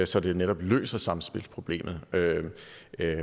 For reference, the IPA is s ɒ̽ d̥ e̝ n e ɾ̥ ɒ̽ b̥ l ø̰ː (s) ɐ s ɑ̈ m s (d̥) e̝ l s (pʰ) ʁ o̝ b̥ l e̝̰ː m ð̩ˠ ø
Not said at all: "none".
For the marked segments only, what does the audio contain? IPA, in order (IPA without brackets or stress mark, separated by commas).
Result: s, b̥, pʰ